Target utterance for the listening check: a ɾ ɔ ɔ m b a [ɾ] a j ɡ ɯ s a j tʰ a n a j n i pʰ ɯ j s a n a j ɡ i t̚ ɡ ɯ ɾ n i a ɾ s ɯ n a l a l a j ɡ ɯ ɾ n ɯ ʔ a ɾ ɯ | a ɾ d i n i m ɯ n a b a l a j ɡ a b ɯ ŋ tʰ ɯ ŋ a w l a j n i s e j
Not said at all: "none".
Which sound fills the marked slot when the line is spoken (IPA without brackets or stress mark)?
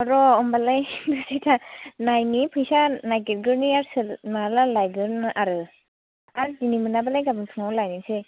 l